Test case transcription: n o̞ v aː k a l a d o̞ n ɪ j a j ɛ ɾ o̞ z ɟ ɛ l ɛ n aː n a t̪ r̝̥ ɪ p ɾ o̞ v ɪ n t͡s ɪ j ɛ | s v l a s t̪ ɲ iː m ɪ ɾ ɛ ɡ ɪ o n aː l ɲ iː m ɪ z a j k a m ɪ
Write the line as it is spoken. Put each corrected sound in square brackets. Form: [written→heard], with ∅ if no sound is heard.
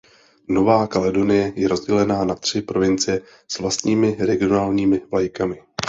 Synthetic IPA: n o̞ v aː k a l [a→ɛ] d o̞ n ɪ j [a→ɛ] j ɛ ɾ o̞ z ɟ ɛ l ɛ n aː n a t̪ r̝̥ ɪ p ɾ o̞ v ɪ n t͡s ɪ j ɛ | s v l a s t̪ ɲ iː m ɪ ɾ ɛ ɡ ɪ o n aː l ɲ iː m ɪ [z→v] a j k a m ɪ